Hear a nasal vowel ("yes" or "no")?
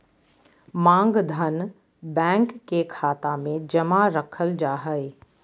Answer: yes